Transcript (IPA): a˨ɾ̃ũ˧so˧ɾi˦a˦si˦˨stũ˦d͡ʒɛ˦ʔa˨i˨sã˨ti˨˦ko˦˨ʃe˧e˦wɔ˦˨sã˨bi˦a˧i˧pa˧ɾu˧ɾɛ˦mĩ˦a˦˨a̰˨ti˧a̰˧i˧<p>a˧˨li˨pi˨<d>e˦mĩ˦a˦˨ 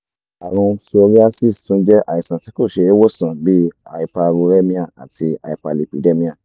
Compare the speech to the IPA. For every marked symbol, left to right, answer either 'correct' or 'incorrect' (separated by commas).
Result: correct, correct